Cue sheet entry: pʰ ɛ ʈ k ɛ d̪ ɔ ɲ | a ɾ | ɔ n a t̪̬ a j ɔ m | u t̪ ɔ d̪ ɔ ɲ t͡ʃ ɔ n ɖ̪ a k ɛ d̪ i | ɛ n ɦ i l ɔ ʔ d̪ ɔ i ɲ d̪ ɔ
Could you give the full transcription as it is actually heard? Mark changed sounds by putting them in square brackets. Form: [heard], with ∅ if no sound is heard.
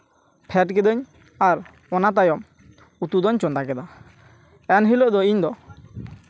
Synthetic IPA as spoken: pʰ ɛ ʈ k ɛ d̪ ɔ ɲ | a ɾ | ɔ n a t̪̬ a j ɔ m | u t̪ [u] d̪ ɔ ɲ t͡ʃ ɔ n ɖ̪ a k ɛ d̪ [a] | ɛ n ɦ i l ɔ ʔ d̪ ɔ i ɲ d̪ ɔ